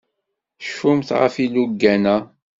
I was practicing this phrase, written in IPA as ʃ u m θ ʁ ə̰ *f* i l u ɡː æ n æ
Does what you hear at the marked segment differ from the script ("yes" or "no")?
no